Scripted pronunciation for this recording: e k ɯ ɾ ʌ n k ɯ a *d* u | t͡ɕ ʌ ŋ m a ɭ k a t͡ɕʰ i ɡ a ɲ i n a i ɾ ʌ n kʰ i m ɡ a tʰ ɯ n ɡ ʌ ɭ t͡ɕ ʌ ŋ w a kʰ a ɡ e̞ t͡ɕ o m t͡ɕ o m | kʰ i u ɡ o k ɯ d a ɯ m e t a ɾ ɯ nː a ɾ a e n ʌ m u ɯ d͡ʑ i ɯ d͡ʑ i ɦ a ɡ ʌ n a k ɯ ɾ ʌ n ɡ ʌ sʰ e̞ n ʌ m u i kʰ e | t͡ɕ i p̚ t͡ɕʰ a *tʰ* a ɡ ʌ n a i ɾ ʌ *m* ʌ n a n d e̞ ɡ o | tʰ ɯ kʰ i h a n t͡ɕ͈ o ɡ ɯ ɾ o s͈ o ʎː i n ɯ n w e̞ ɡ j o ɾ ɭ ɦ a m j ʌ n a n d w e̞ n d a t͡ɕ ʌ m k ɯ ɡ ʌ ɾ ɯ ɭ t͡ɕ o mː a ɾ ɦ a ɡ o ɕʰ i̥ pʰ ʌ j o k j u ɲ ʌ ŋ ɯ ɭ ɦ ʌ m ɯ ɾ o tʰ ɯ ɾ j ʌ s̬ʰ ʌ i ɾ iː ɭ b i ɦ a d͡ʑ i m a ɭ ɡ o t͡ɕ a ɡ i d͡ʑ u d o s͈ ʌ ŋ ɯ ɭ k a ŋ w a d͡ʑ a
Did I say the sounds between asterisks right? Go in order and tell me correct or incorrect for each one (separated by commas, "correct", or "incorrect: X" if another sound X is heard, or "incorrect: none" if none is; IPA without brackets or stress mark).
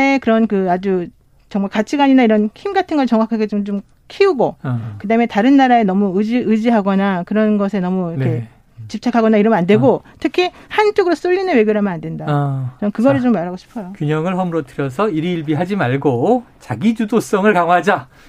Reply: incorrect: d͡ʑ, incorrect: kʰ, correct